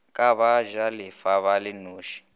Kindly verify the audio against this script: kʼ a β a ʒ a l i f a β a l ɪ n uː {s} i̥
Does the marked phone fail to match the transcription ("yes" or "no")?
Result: yes